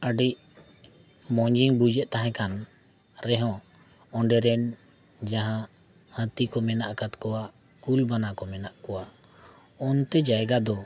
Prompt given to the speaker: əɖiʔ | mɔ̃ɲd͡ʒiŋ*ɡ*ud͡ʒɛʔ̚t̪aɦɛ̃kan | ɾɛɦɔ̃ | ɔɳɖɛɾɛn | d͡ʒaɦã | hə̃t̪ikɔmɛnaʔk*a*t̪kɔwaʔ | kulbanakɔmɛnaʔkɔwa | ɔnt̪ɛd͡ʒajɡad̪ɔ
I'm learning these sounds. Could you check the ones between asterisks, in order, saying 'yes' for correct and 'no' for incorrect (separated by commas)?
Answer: no, yes